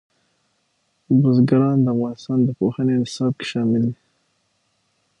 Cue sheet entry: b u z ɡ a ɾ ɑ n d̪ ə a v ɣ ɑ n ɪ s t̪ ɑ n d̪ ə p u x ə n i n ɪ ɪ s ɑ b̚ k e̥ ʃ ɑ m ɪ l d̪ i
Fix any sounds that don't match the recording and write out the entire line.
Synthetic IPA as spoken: b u z ɡ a ɾ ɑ n d̪ ə a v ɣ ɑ n ɪ s t̪ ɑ n d̪ ə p o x ə n e n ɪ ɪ s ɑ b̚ k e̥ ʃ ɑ m ɪ l d̪ i